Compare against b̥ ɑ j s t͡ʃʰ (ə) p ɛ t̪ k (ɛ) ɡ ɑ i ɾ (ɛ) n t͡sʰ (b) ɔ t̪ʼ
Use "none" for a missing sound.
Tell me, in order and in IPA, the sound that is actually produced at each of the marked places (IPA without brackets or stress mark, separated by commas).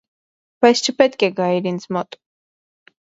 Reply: ə, ɛ, i, m